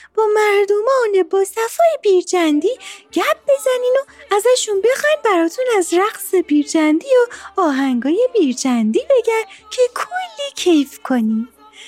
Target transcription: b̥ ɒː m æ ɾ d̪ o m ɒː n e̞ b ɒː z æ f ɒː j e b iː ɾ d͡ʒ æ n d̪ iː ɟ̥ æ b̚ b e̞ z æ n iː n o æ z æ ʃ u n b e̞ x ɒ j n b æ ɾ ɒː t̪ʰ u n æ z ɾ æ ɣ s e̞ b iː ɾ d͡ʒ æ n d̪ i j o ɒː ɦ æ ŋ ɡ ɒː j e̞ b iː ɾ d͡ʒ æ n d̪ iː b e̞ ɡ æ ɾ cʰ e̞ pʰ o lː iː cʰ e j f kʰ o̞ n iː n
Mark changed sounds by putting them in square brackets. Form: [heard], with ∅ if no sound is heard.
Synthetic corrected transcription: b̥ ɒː m æ ɾ d̪ o m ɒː n e̞ b ɒː [s] æ f ɒː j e b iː ɾ d͡ʒ æ n d̪ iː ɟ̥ æ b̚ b e̞ z æ n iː n o æ z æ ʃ u n b e̞ x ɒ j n b æ ɾ ɒː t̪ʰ u n æ z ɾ æ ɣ s e̞ b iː ɾ d͡ʒ æ n d̪ i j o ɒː ɦ æ ŋ ɡ ɒː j e̞ b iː ɾ d͡ʒ æ n d̪ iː b e̞ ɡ æ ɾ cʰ e̞ [kʰ] o lː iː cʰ e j f kʰ o̞ n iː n